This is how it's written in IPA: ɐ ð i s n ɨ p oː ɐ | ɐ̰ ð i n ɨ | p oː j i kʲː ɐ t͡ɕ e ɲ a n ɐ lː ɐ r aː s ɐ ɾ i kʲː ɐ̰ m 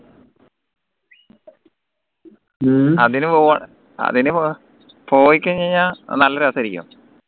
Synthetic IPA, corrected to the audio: ɐ ð i n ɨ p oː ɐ | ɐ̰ ð i n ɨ | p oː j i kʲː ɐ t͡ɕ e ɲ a n ɐ lː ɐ ɾ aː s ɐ ɾ i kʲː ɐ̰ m

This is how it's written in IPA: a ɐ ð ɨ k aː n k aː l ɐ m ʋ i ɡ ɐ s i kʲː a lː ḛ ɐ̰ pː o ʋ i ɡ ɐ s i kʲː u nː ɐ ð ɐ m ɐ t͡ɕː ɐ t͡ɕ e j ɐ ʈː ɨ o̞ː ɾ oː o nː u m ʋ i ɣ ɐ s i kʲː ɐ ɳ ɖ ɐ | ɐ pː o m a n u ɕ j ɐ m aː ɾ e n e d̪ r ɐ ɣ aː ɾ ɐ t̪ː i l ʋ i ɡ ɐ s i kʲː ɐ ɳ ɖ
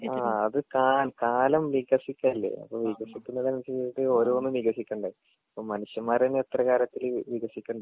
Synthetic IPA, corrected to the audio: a ɐ ð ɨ k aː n k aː l ɐ m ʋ i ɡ ɐ s i kʲː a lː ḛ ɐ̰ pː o ʋ i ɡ ɐ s i kʲː u nː ɐ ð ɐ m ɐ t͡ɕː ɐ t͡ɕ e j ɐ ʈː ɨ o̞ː ɾ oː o nː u m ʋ i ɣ ɐ s i kʲː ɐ ɳ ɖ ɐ | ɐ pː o m ɐ n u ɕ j ɐ m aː ɾ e n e t̪ r ɐ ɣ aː ɾ ɐ t̪ː i l ʋ i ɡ ɐ s i kʲː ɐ ɳ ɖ

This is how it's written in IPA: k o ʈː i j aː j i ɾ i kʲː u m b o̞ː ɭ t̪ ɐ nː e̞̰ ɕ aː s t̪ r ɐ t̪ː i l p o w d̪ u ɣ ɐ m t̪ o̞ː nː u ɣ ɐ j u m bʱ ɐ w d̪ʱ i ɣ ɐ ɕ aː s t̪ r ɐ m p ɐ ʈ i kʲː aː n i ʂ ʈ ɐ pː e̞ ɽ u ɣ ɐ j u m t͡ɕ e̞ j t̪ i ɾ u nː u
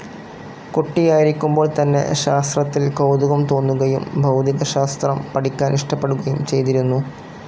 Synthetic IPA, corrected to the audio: k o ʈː i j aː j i ɾ i kʲː u m b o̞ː ɭ t̪ ɐ nː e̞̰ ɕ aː s t̪ r ɐ t̪ː i l k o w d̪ u ɣ ɐ m t̪ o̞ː nː u ɣ ɐ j u m bʱ ɐ w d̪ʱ i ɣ ɐ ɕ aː s t̪ r ɐ m p ɐ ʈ i kʲː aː n i ʂ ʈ ɐ pː e̞ ɽ u ɣ ɐ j u m t͡ɕ e̞ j t̪ i ɾ u nː u

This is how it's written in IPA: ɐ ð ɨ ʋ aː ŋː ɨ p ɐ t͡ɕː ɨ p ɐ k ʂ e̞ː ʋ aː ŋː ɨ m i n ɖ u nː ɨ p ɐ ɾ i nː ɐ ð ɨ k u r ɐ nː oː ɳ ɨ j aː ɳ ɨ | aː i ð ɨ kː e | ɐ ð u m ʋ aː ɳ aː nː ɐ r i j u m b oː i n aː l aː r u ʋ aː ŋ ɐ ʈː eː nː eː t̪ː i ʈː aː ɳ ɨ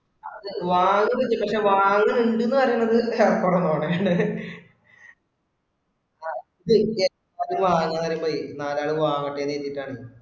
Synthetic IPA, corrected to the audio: ɐ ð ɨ ʋ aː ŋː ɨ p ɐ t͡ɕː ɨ p ɐ k ʂ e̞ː ʋ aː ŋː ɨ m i ɳ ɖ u nː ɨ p ɐ ɾ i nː ɐ ð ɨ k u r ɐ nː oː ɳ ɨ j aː ɳ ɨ | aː i ð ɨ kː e | ɐ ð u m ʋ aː ɲ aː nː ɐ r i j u m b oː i n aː l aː ɭ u ʋ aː ŋ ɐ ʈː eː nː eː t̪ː i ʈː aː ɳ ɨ

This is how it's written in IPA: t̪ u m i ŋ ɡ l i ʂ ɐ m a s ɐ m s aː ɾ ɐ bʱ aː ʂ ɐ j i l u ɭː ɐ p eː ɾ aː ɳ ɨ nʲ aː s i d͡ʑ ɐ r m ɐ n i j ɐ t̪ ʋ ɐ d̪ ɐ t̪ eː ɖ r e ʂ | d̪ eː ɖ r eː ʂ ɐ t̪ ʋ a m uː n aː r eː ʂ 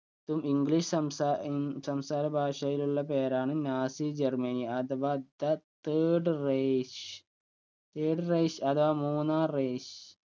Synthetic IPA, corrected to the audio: t̪ u m i ŋ ɡ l i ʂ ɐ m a s ɐ m s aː ɾ ɐ bʱ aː ʂ ɐ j i l u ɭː ɐ p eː ɾ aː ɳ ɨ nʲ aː s i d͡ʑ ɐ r m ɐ n i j ɐ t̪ ʋ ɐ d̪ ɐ t̪ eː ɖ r e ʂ | t̪ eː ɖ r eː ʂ ɐ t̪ ʋ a m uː n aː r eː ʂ

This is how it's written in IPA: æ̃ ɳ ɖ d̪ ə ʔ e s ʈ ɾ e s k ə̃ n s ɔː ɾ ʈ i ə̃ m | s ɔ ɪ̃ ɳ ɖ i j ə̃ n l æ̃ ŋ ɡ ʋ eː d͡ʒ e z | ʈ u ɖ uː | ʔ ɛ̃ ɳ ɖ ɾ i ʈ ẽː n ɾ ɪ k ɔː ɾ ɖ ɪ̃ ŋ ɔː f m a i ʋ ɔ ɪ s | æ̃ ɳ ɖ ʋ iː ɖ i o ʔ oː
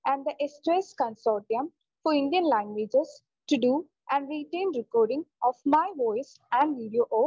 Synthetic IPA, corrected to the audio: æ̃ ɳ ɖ d̪ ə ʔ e s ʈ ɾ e s k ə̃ n s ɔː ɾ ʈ i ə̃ m | f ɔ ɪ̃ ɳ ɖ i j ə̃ n l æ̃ ŋ ɡ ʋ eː d͡ʒ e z | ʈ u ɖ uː | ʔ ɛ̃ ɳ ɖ ɾ i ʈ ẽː n ɾ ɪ k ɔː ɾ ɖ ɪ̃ ŋ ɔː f m a ɪ ʋ ɔ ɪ s | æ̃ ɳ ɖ ʋ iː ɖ i o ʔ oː

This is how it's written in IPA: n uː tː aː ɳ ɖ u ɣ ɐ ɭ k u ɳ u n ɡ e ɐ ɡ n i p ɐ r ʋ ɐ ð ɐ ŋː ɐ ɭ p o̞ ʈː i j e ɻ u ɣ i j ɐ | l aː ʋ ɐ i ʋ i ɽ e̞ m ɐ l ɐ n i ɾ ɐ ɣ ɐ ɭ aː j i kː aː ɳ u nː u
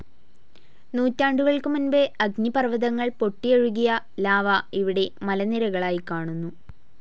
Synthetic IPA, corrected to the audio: n uː tː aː ɳ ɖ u ɣ ɐ ɭ k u m u n b e ɐ ɡ n i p ɐ r ʋ ɐ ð ɐ ŋː ɐ ɭ p o̞ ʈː i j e ɻ u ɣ i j ɐ | l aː ʋ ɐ i ʋ i ɽ e̞ m ɐ l ɐ n i ɾ ɐ ɣ ɐ ɭ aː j i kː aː ɳ u nː u

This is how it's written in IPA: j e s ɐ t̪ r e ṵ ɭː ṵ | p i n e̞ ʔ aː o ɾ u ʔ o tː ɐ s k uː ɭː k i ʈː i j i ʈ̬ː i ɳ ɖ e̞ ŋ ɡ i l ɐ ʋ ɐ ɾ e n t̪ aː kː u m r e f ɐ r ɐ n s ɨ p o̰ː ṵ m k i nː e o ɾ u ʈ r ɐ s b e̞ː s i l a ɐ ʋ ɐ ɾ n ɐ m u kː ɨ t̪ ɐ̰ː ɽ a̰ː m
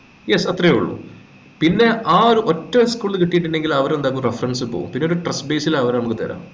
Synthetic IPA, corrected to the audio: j e s ɐ t̪ r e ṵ ɭː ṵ | p i nː e̞ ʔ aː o ɾ u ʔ o tː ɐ s k uː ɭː k i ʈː i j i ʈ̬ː i ɳ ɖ e̞ ŋ ɡ i l ɐ ʋ ɐ ɾ e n d̪ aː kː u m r e f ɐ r ɐ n s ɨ p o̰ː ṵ m p i nː e o ɾ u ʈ r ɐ s b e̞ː s i l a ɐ ʋ ɐ ɾ n ɐ m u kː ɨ t̪ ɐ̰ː ɾ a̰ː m

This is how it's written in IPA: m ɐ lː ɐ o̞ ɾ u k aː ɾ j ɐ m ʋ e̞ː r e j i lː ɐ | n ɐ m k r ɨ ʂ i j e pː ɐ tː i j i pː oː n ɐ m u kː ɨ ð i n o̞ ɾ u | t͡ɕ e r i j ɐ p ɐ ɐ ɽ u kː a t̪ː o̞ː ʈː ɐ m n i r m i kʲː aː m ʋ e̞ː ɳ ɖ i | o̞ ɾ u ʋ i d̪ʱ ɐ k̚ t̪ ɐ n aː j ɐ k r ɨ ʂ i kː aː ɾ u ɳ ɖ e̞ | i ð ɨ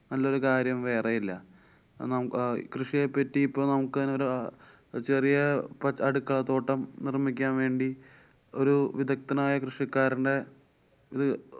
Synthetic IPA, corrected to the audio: n ɐ lː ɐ o̞ ɾ u k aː ɾ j ɐ m ʋ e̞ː r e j i lː ɐ | n ɐ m k r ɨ ʂ i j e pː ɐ tː i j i pː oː n ɐ m u kː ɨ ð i n o̞ ɾ u | t͡ɕ e r i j ɐ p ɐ ɐ ɽ u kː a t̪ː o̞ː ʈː ɐ m n i r m i kʲː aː n ʋ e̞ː ɳ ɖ i | o̞ ɾ u ʋ i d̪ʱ ɐ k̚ t̪ ɐ n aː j ɐ k r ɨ ʂ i kː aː ɾ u ɳ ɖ e̞ | i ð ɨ

